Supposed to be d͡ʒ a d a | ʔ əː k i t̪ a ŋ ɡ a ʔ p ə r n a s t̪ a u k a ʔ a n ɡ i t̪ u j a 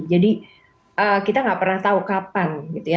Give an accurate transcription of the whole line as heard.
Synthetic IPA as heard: d͡ʒ a d i | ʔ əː k i t̪ a ŋ ɡ a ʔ p ə r n a h t̪ a u k a p a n ɡ i t̪ u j a